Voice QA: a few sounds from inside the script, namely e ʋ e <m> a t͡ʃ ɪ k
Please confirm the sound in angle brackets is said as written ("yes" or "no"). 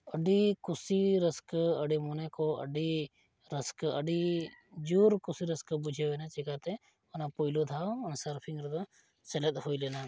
no